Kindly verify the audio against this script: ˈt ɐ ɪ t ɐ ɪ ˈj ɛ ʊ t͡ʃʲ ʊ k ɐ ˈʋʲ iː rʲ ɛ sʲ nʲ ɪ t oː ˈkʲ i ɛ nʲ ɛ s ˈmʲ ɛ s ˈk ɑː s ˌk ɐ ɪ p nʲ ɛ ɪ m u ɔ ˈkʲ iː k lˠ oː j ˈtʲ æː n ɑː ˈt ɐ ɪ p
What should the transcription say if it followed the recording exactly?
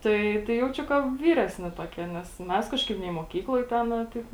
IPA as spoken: ˈt ɐ ɪ t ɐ ɪ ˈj ɛ ʊ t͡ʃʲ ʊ k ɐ ˈʋʲ iː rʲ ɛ sʲ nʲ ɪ t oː ˈkʲ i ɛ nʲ ɛ s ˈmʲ ɛ s ˈk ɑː ʃ ˌk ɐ ɪ p nʲ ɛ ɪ m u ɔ ˈkʲ iː k lˠ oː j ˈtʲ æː n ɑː ˈt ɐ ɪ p